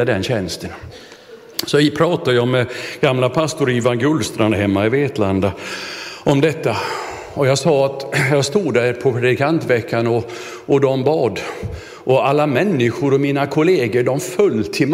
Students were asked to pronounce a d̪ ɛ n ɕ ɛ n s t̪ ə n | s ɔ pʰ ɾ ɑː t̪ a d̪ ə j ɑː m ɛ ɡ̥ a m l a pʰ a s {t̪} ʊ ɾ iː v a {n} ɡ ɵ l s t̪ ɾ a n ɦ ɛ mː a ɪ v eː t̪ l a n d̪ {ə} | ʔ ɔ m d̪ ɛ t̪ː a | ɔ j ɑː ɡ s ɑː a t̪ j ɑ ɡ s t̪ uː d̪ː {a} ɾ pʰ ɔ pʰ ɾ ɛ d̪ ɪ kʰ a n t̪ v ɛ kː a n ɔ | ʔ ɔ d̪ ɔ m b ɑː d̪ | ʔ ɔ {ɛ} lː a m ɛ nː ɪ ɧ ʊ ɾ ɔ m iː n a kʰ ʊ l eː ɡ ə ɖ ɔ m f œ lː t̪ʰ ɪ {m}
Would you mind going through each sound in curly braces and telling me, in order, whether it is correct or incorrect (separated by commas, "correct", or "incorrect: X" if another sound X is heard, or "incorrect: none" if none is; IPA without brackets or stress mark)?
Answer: correct, correct, incorrect: a, incorrect: æ, incorrect: a, correct